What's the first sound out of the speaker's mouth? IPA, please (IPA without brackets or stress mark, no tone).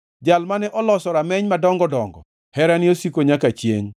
d͡ʒ